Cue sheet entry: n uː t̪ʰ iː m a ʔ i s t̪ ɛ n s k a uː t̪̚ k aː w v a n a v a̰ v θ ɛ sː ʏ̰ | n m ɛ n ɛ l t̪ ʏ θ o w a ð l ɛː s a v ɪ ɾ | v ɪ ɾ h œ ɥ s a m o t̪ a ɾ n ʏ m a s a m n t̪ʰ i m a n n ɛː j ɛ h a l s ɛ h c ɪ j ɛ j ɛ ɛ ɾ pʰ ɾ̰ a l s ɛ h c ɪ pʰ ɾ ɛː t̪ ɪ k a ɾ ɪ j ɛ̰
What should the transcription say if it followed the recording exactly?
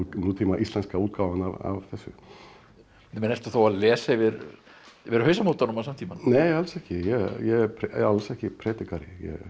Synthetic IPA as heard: n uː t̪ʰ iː m a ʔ i s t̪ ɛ n s k a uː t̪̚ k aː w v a n a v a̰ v θ ɛ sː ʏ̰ | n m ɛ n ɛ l t̪ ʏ θ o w a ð l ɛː s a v ɪ ɾ | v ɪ ɾ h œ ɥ s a m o t̪ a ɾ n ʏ m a s a m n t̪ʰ i m a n n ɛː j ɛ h a l s ɛ h c ɪ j ɛ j ɛ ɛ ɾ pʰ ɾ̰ a l s ɛ h c ɪ pʰ ɾ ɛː t̪ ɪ k a ɾ ɪ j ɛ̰